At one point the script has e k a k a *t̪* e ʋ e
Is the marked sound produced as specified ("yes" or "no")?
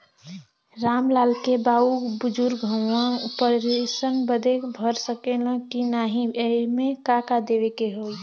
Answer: no